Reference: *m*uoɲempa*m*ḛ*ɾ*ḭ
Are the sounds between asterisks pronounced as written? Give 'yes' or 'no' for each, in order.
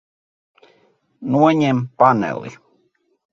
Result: no, no, no

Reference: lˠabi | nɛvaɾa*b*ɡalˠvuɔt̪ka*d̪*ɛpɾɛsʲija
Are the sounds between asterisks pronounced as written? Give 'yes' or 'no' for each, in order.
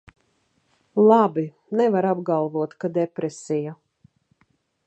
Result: yes, yes

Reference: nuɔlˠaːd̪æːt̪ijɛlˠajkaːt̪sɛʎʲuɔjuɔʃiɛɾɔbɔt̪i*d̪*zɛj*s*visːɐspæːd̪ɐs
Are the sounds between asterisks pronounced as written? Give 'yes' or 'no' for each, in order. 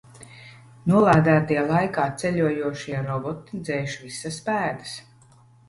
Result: yes, no

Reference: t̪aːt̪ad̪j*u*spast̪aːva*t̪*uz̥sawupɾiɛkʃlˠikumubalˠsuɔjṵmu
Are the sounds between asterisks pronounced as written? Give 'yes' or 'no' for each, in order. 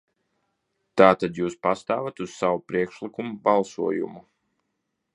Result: no, yes

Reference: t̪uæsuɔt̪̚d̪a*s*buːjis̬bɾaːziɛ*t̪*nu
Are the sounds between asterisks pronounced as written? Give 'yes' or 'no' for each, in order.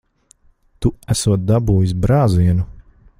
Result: no, no

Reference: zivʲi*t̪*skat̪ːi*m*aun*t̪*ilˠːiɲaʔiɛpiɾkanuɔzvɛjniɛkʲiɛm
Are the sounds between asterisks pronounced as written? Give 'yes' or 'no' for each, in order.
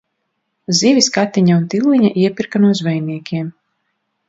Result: no, no, yes

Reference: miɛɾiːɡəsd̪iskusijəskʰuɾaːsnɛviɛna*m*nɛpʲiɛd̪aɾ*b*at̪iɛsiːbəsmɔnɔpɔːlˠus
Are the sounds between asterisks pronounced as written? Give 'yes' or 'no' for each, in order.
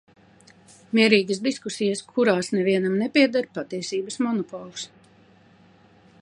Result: yes, no

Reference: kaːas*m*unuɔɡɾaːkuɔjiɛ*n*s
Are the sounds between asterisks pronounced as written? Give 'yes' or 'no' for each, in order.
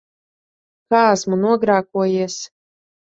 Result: yes, no

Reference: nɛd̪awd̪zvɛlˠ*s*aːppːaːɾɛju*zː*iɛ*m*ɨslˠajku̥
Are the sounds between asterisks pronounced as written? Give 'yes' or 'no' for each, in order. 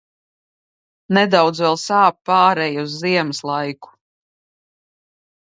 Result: yes, yes, yes

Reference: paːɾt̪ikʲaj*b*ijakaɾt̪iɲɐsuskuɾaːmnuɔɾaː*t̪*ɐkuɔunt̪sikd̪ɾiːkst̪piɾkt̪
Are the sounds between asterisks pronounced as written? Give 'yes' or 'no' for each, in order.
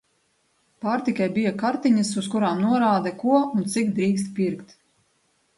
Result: yes, no

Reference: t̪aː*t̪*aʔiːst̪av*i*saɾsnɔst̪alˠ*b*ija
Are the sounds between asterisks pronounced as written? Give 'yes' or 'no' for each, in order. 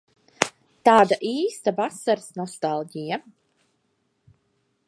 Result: no, no, no

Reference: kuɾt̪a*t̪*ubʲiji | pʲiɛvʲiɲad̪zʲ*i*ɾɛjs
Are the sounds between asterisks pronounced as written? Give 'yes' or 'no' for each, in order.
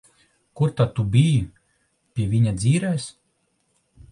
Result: yes, no

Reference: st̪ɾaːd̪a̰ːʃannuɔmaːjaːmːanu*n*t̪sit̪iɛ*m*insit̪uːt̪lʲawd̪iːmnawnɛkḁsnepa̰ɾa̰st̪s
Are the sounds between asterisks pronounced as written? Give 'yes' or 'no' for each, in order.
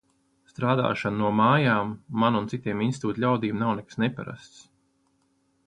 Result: yes, yes

